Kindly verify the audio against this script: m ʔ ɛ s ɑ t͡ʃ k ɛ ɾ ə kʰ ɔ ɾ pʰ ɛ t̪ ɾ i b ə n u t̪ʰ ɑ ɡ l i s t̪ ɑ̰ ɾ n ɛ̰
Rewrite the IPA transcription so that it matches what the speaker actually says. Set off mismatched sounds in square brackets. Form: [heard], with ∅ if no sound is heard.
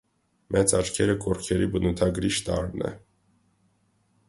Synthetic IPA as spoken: m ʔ ɛ [t͡s] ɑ t͡ʃ [kʰ] ɛ ɾ ə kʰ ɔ ɾ [kʰ] ɛ [∅] ɾ i b ə n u t̪ʰ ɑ ɡ [ɾ] i [ʃ] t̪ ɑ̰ ɾ n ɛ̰